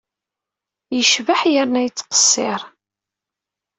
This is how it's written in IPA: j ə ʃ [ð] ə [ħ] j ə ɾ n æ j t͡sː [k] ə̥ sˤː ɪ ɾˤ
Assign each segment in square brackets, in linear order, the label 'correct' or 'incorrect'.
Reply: incorrect, correct, incorrect

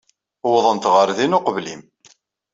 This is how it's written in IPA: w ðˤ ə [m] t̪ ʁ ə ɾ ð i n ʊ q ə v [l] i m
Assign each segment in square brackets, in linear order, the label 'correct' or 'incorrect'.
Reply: incorrect, correct

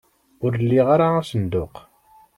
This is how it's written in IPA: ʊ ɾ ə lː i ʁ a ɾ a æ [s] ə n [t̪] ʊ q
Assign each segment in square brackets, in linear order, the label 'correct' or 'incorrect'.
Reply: correct, incorrect

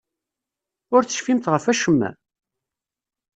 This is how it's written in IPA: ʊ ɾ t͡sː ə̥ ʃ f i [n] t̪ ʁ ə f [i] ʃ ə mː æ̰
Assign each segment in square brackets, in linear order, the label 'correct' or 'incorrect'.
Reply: incorrect, incorrect

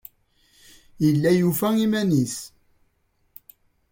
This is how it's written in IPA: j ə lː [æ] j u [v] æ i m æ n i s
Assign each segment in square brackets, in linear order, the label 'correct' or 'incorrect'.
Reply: correct, incorrect

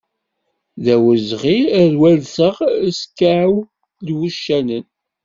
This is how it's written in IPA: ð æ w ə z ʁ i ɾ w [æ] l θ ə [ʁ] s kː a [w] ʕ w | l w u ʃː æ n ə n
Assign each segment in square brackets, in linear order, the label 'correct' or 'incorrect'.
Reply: correct, correct, incorrect

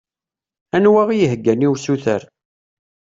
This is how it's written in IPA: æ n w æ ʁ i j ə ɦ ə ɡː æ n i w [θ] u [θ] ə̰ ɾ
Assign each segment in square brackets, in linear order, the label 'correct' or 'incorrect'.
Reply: incorrect, correct

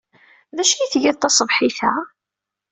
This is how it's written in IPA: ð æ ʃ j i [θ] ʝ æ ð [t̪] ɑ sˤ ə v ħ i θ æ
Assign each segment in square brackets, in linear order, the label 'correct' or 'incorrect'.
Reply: correct, correct

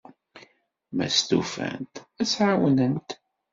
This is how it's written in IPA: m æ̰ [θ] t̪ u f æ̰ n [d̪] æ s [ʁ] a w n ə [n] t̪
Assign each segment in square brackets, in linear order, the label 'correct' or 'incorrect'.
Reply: incorrect, incorrect, incorrect, correct

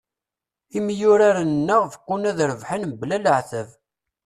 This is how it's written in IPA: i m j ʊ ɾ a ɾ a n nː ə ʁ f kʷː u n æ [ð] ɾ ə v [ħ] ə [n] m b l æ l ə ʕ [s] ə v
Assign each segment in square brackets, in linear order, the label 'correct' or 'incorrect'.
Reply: correct, correct, correct, incorrect

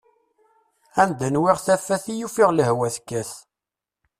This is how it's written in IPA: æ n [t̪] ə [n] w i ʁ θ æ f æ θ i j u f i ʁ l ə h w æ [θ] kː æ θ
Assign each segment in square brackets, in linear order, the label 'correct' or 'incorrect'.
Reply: incorrect, correct, correct

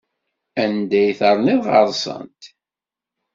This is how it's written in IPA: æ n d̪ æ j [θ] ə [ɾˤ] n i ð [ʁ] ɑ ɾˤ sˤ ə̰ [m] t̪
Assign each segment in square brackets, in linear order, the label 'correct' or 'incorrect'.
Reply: correct, correct, correct, incorrect

